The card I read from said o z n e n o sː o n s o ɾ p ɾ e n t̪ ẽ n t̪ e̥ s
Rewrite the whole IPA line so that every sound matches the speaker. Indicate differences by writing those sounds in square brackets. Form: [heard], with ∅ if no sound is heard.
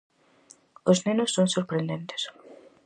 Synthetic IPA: o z n e n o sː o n s o ɾ p ɾ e n [d̪] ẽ n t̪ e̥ s